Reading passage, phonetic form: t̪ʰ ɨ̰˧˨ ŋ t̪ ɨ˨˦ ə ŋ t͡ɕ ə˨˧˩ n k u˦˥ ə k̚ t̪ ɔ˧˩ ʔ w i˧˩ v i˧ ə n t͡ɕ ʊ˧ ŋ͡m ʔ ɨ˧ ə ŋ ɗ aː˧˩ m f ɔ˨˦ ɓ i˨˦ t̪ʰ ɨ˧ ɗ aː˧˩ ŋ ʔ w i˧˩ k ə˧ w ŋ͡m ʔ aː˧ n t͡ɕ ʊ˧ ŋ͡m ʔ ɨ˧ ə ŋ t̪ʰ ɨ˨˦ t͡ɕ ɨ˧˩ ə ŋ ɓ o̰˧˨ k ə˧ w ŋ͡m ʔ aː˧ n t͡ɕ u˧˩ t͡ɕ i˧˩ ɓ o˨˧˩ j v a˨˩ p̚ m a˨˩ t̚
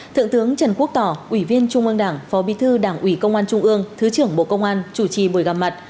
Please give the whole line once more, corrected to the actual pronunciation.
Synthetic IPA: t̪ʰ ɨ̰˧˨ ŋ t̪ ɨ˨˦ ə ŋ t͡ɕ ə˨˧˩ n k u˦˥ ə k̚ t̪ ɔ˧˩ ʔ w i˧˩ v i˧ ə n t͡ɕ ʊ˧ ŋ͡m ʔ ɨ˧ ə ŋ ɗ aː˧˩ ŋ f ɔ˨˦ ɓ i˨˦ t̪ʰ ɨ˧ ɗ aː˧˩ ŋ ʔ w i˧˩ k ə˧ w ŋ͡m ʔ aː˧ n t͡ɕ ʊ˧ ŋ͡m ʔ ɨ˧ ə ŋ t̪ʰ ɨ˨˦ t͡ɕ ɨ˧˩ ə ŋ ɓ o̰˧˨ k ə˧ w ŋ͡m ʔ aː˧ n t͡ɕ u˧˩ t͡ɕ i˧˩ ɓ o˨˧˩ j ɣ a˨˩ p̚ m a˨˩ t̚